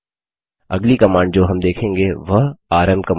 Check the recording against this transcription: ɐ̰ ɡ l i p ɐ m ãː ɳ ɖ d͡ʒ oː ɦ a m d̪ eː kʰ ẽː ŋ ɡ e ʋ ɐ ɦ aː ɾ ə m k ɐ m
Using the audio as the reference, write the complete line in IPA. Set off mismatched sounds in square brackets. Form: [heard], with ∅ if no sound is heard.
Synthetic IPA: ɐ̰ ɡ l i [k] ɐ m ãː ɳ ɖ d͡ʒ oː ɦ [ɐ] m d̪ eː kʰ ẽː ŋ ɡ e ʋ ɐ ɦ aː ɾ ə m k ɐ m

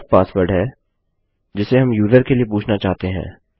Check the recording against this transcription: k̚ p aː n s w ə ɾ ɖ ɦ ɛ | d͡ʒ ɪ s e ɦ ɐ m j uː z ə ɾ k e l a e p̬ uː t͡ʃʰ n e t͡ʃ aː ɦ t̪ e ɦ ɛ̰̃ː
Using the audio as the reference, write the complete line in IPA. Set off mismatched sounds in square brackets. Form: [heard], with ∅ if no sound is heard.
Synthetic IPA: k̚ p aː [∅] s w ə ɾ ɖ ɦ ɛ | d͡ʒ ɪ s e ɦ ɐ m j uː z ə ɾ k e l [i] e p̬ uː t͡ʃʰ n [a] t͡ʃ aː ɦ t̪ e ɦ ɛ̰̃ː

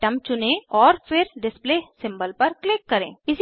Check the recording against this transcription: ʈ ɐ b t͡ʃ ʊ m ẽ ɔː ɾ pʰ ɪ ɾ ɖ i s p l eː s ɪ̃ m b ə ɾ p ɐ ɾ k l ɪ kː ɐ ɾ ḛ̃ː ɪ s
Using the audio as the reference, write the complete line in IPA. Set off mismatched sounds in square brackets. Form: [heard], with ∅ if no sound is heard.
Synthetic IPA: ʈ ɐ [m] t͡ʃ ʊ [n] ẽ ɔː ɾ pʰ ɪ ɾ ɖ [ɪ] s p l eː s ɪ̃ m b ə [l] p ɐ ɾ k l ɪ kː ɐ ɾ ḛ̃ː ɪ s

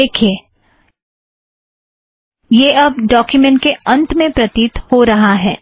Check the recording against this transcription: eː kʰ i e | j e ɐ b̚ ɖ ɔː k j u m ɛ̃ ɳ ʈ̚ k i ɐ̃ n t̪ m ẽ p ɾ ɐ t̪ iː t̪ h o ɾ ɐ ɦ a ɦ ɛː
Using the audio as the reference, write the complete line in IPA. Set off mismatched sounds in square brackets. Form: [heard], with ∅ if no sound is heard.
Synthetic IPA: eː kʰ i e | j e ɐ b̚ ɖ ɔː k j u m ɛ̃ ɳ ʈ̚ k [e] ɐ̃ n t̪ m ẽ p ɾ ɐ t̪ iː t̪ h o ɾ ɐ ɦ a ɦ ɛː

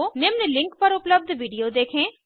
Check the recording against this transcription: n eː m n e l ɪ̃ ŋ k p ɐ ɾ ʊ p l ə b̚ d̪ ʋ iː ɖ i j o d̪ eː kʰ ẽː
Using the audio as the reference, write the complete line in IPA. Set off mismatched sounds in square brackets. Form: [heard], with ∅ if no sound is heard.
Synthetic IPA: n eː m n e l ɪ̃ ŋ k p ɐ ɾ ʊ p l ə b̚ d̪ ʋ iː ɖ i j o d̪ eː kʰ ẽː

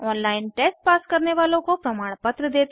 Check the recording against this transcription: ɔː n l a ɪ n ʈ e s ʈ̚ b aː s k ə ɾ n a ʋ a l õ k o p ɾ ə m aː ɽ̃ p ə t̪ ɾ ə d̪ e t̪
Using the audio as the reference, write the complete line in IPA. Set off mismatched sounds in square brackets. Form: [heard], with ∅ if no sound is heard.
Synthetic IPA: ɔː n l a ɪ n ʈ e s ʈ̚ [p] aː s k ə ɾ n [e] ʋ a l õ k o p ɾ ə m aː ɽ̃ p ə t̪ ɾ ə d̪ e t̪

